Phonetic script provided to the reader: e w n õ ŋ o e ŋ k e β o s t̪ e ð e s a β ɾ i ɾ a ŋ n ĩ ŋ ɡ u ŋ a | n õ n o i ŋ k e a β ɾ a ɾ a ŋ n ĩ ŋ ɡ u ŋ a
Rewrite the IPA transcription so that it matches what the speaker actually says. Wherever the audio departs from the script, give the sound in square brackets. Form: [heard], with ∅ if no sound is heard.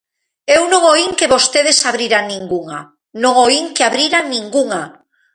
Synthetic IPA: e w n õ ŋ o [i] ŋ k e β o s t̪ e ð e s a β ɾ i ɾ a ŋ n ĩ ŋ ɡ u ŋ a | n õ [ŋ] o i ŋ k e a β ɾ [i] ɾ a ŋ n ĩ ŋ ɡ u ŋ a